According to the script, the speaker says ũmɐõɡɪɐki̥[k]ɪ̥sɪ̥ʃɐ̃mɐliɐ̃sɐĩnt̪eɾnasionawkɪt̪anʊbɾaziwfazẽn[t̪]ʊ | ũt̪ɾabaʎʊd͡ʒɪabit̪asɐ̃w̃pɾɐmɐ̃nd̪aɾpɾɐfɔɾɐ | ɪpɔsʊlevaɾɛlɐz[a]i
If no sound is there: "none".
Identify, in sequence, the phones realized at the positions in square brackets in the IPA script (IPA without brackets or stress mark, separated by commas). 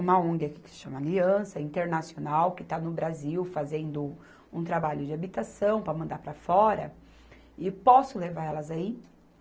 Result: k, d̪, a